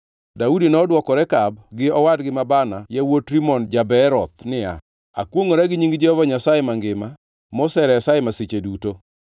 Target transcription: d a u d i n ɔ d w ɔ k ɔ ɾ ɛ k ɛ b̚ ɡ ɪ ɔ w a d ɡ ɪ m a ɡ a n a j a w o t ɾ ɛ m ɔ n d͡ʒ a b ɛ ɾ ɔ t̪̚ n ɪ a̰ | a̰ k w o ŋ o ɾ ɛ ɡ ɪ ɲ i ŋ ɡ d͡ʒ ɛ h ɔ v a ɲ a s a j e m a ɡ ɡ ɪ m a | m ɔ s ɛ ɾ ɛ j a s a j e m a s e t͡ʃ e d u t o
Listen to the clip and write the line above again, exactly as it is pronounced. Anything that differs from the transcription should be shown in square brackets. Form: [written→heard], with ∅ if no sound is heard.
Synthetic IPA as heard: d a u d i n ɔ d w ɔ k ɔ ɾ ɛ k [ɛ→a] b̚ ɡ ɪ ɔ w a d ɡ ɪ m a [ɡ→b] a n a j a w o t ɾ [ɛ→i] m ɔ n d͡ʒ a b ɛ ɾ ɔ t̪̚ n ɪ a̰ | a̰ k w o ŋ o ɾ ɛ ɡ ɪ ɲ i ŋ ɡ d͡ʒ ɛ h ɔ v a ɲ a s a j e m a [ɡ→ŋ] ɡ ɪ m a | m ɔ s ɛ ɾ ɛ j a s a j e m a s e t͡ʃ e d u t o